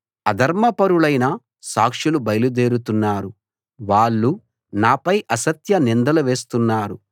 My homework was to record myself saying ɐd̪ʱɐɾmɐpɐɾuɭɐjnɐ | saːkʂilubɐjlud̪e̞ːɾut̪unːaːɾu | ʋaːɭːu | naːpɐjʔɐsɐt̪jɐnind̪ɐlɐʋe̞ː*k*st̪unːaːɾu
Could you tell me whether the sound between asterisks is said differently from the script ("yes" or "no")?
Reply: yes